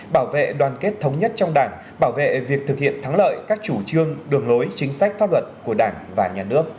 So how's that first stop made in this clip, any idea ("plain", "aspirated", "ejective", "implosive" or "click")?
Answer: implosive